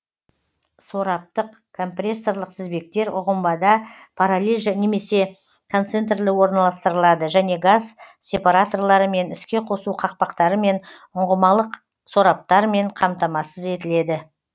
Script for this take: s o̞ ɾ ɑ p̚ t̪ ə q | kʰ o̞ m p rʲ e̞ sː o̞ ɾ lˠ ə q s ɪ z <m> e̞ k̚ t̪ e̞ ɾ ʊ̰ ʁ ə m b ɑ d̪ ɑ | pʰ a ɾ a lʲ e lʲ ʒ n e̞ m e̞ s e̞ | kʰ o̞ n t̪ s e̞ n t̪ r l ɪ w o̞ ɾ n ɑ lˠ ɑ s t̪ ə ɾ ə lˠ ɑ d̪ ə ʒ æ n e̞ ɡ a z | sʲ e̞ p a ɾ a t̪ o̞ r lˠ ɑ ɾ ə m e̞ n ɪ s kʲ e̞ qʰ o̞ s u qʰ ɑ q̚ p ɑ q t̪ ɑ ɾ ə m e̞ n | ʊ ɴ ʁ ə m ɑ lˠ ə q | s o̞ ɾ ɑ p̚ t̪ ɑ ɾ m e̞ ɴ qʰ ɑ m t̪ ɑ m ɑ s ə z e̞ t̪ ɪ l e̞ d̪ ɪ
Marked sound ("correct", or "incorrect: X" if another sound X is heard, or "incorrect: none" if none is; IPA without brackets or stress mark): incorrect: b